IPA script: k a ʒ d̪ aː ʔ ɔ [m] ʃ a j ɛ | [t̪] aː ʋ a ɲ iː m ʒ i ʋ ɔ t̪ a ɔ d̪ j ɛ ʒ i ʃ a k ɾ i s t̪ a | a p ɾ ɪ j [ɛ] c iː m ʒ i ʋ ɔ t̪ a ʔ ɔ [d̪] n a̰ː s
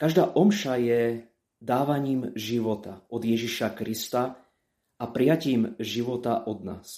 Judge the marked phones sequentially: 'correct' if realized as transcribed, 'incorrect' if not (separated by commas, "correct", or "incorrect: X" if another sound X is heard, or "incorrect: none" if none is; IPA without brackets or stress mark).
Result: correct, incorrect: d̪, incorrect: a, correct